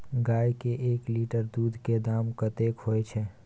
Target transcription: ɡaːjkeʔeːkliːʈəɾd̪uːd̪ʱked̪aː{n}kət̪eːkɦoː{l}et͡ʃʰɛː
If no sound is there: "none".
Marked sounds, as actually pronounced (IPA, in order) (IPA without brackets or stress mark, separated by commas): m, none